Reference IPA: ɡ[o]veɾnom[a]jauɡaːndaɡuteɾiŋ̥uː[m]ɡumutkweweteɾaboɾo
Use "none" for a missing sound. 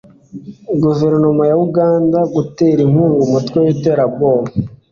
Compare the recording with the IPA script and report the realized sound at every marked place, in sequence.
u, a, ŋ

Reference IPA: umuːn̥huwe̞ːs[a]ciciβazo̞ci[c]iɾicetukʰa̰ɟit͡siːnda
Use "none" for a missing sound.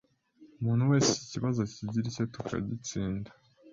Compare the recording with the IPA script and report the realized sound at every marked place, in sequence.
e, ɟ

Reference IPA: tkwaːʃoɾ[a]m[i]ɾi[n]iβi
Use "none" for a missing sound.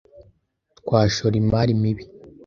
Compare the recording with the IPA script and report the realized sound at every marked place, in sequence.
i, a, m

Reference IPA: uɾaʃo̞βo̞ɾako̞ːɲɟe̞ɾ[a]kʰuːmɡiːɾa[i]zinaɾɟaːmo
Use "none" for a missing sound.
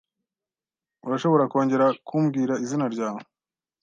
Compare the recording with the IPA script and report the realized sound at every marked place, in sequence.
a, i

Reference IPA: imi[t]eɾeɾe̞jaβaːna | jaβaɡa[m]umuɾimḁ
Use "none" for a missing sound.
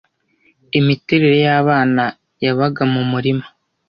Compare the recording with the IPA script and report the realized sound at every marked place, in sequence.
t, m

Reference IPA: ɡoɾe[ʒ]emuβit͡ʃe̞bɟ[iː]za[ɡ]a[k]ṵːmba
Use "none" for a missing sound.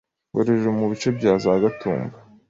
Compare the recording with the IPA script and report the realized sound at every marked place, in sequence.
ʒ, aː, ɡ, t

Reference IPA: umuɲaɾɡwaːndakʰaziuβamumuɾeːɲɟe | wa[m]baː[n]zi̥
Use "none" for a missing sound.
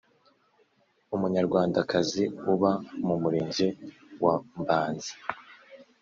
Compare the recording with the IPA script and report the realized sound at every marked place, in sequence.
m, n

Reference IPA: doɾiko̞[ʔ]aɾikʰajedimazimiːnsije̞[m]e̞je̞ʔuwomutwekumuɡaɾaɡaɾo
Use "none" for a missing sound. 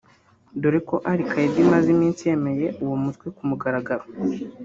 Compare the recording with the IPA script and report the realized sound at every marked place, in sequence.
ʔ, m

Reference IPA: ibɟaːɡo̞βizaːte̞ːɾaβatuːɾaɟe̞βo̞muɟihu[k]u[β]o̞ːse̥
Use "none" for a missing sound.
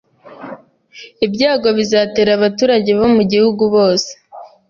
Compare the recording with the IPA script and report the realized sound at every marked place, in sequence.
ɡ, β

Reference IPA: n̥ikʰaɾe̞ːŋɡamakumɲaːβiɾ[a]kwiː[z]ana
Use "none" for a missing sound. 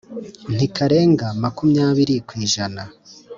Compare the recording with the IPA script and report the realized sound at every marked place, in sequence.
i, ʒ

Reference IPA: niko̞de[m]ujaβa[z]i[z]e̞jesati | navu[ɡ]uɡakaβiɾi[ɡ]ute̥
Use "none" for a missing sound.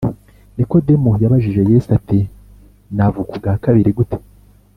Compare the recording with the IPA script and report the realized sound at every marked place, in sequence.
m, ʒ, ʒ, k, ɡ

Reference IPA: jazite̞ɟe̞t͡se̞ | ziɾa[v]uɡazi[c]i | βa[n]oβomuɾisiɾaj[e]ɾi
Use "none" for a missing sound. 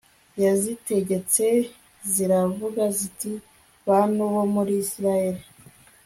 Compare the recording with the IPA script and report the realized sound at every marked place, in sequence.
v, t, n, e

